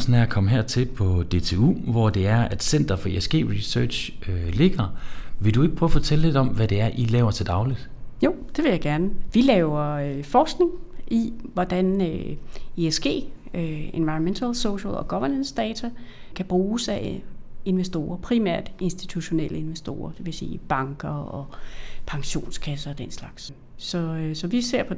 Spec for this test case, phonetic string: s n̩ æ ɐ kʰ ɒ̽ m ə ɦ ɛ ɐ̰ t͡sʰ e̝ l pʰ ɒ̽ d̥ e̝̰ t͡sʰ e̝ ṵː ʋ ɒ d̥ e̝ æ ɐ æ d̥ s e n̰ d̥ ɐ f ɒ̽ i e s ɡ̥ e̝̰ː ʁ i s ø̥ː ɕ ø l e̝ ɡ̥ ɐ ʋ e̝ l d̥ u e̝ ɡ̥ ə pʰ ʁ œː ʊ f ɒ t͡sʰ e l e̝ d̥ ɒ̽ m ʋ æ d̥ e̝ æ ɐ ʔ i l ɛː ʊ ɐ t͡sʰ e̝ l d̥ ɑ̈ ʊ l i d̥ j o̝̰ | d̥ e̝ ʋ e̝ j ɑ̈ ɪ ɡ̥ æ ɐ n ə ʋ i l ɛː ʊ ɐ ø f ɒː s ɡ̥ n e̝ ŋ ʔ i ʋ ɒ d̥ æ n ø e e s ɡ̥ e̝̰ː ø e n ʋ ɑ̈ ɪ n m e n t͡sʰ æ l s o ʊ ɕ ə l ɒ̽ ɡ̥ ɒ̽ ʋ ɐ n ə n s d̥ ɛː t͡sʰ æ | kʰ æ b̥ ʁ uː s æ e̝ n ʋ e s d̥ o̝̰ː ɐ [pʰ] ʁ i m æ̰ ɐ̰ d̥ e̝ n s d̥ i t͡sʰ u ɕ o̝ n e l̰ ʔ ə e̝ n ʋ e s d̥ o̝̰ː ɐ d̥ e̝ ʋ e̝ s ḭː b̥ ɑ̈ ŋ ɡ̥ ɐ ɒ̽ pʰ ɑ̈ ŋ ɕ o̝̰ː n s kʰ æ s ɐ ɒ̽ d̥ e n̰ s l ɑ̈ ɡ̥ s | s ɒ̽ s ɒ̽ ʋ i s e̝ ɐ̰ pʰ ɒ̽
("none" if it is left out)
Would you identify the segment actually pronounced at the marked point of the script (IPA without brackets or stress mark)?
pʰ